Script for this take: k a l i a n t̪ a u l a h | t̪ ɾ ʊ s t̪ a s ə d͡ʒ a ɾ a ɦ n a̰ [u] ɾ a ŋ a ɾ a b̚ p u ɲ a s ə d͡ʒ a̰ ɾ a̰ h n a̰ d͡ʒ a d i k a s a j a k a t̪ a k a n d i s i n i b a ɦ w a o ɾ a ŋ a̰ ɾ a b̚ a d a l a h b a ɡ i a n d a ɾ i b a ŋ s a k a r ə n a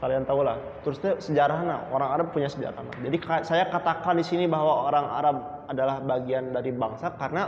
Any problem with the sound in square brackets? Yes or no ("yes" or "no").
yes